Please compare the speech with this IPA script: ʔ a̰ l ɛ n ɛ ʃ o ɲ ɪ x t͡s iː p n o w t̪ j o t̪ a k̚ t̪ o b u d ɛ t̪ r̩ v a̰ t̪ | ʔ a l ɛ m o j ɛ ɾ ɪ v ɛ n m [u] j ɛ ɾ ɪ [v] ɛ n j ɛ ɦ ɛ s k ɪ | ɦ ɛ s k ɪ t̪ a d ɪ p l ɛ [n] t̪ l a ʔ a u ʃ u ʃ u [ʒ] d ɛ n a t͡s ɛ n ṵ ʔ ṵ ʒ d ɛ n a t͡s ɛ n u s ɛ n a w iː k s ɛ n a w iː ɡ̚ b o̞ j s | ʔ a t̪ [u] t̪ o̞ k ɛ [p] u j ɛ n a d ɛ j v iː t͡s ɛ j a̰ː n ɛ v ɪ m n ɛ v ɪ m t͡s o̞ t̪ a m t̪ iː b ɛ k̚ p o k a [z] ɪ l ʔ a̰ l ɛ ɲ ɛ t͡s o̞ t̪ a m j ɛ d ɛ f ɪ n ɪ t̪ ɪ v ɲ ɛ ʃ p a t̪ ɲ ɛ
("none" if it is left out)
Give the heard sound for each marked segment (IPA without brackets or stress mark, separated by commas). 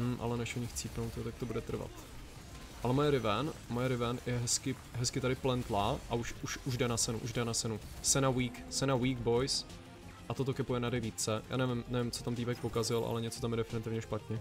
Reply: o, v, n, ʒ, o, p, z